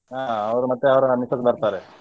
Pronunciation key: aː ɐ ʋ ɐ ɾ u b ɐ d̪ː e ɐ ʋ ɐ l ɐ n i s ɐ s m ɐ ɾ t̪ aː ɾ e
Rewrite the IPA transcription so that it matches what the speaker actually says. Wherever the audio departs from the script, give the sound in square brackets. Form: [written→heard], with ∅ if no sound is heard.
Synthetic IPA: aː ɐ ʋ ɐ ɾ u [b→m] ɐ [d̪ː→t̪ː] e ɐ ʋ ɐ [l→ɾ] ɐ n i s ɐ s [m→b] ɐ ɾ t̪ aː ɾ e